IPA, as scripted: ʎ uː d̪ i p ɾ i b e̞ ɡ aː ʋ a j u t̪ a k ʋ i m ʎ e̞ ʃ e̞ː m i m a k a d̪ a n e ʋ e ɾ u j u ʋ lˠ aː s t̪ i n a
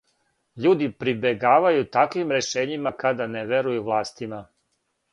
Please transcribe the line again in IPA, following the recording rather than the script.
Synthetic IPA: ʎ uː d̪ i p ɾ i b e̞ ɡ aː ʋ a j u t̪ a k ʋ i m ɾ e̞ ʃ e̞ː ɲ i m a k a d̪ a n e ʋ e ɾ u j u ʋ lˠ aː s t̪ i m a